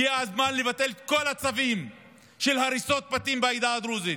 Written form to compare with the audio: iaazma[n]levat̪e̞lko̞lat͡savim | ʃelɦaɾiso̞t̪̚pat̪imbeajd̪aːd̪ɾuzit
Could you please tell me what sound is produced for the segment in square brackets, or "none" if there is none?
n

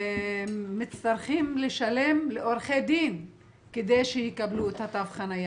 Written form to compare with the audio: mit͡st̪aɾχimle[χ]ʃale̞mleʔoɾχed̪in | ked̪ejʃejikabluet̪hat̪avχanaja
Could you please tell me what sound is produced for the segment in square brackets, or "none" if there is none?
none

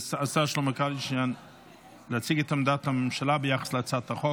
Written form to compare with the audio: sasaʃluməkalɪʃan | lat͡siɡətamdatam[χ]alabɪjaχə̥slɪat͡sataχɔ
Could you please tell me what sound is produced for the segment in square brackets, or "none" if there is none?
ʃ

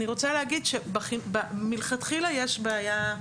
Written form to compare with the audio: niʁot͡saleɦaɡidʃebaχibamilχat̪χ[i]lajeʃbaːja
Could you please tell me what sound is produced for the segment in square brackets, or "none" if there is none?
i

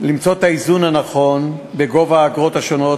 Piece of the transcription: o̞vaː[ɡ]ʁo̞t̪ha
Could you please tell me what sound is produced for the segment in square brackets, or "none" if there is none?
ɡ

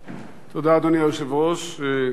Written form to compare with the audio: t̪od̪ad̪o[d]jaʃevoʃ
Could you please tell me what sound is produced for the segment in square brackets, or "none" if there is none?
n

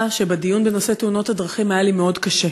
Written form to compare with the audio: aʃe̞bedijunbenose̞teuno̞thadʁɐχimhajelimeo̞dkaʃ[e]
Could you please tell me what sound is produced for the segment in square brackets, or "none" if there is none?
e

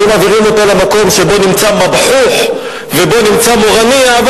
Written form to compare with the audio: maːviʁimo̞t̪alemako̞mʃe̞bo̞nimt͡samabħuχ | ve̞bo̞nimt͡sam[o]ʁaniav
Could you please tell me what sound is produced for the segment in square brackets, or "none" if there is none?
o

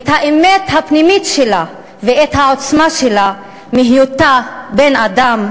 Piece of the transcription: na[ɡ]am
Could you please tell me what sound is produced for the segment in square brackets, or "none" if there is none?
d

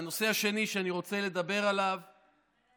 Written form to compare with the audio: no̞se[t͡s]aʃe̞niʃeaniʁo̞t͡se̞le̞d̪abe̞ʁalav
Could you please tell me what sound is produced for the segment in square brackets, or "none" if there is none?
none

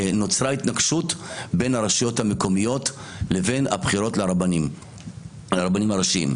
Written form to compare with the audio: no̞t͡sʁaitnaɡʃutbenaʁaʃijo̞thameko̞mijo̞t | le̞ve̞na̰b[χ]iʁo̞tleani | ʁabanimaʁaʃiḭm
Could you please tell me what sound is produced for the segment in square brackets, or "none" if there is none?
χ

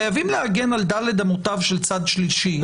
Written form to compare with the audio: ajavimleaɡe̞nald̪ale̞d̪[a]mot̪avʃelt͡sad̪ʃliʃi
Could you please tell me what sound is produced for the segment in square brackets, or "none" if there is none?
a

